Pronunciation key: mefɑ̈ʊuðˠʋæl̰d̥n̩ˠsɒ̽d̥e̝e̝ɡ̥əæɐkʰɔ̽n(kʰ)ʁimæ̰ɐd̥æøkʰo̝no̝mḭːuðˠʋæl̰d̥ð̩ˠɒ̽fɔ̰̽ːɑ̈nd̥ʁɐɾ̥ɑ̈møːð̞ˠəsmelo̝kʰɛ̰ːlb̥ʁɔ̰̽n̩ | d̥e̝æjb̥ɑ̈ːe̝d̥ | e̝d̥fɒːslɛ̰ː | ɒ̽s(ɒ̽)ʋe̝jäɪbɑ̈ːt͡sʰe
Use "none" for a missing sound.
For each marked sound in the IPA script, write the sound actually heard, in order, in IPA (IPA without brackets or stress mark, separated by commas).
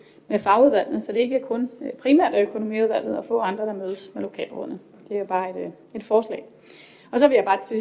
pʰ, ɒ̽